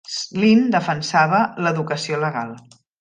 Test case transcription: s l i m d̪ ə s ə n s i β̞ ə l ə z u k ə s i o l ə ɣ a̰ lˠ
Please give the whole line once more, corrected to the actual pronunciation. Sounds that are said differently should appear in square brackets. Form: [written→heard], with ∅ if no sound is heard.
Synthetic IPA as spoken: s l i [m→n] d̪ ə [s→f] ə n s [i→a] β̞ ə l ə [z→ð] u k ə s i o l ə ɣ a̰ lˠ

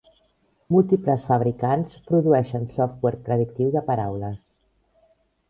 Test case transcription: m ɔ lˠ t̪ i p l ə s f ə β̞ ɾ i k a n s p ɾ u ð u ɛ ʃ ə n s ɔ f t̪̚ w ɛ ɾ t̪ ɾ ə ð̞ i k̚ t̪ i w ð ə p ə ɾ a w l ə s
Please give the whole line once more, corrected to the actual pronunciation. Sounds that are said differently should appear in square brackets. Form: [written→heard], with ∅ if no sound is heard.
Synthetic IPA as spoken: m [ɔ→u] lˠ t̪ i p l ə s f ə β̞ ɾ i k a n s p ɾ u ð u ɛ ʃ ə n s ɔ f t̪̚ w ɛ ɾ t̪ ɾ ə ð̞ i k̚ t̪ i w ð ə p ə ɾ a w l ə s

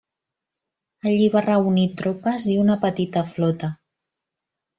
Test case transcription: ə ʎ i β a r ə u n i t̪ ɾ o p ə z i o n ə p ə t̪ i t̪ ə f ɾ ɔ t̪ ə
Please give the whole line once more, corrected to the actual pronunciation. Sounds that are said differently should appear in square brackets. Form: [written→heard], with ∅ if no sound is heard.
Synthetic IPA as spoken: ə ʎ i β a r ə u n i t̪ ɾ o p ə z i [o→u] n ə p ə t̪ i t̪ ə f [ɾ→l] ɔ t̪ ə

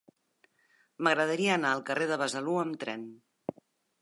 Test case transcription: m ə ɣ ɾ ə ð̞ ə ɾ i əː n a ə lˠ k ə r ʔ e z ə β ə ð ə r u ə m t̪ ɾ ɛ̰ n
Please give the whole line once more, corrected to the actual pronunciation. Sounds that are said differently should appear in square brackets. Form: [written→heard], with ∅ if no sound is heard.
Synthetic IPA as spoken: m ə ɣ ɾ ə ð̞ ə ɾ i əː n a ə lˠ k ə r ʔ e [z→ð] ə β ə [ð→z] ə [r→l] u ə m t̪ ɾ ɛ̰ n

